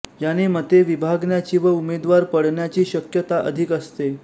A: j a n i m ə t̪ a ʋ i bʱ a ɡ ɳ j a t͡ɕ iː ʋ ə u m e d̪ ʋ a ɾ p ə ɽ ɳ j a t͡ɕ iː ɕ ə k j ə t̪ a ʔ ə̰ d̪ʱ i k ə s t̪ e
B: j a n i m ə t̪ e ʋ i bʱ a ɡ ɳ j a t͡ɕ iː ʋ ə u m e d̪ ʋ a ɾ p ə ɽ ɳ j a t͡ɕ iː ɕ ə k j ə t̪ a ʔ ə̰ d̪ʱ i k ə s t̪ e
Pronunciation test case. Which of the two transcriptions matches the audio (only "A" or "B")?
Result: B